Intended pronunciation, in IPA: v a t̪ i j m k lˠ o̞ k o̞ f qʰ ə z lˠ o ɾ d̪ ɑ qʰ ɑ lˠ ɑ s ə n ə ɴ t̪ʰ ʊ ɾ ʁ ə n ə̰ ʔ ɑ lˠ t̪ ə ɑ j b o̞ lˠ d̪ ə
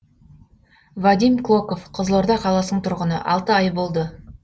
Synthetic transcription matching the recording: v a d̪ i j m k lˠ o̞ k o̞ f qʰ ə z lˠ o ɾ d̪ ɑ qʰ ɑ lˠ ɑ s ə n ə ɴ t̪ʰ ʊ ɾ ʁ ə n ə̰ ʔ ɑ lˠ t̪ ə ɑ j b o̞ lˠ d̪ ə